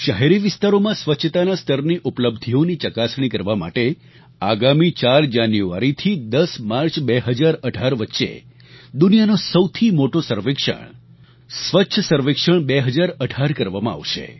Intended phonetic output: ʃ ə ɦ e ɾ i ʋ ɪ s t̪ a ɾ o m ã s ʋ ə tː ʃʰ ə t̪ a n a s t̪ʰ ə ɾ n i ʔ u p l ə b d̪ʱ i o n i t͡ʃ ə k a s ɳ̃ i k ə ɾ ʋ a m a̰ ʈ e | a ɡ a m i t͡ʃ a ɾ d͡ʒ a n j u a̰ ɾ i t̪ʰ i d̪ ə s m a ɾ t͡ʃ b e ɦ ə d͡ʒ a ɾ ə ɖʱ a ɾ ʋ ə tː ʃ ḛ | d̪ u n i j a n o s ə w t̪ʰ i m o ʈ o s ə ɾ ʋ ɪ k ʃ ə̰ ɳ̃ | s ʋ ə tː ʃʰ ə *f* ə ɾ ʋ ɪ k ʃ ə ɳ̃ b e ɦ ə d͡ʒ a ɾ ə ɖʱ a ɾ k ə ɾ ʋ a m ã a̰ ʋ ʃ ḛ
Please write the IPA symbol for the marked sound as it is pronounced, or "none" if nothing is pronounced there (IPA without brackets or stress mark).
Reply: s